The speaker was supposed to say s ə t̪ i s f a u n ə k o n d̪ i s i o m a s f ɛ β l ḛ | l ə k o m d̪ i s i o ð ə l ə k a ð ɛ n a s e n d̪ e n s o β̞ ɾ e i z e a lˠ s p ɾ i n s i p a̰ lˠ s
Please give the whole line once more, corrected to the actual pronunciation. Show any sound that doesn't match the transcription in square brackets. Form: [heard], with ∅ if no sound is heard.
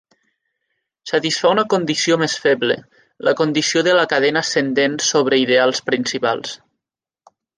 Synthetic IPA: s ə t̪ i s f a u n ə k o n d̪ i s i o m [e] s f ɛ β l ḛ | l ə k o [n] d̪ i s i o ð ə l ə k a ð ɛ n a s e n d̪ e n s o β̞ ɾ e i [ð] e a lˠ s p ɾ i n s i p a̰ lˠ s